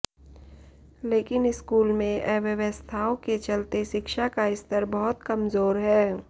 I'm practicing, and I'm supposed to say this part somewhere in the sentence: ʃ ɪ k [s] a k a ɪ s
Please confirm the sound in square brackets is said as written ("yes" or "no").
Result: no